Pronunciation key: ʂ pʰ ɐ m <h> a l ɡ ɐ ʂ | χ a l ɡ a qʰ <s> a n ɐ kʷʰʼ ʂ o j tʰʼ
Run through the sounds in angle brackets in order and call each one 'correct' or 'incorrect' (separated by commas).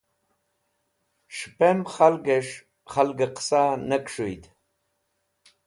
incorrect, correct